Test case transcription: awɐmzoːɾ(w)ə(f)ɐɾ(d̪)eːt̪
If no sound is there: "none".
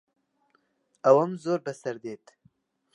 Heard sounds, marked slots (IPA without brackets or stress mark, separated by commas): b, s, d̪